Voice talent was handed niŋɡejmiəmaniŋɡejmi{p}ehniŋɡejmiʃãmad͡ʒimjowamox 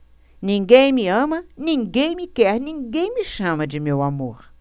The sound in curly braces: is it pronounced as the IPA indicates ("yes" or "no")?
no